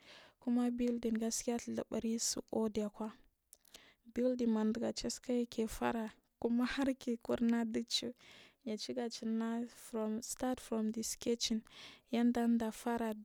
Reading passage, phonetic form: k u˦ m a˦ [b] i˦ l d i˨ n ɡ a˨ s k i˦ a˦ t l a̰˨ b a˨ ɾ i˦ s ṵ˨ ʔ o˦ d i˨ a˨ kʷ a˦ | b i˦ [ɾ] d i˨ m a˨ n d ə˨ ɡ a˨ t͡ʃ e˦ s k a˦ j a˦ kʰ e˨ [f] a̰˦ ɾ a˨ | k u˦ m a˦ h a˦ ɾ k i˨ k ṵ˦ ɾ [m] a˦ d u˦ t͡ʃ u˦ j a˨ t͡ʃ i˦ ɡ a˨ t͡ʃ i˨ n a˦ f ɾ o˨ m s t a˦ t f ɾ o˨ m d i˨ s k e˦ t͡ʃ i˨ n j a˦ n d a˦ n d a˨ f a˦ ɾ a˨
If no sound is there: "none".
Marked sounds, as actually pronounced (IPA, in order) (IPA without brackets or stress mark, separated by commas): b, l, f, n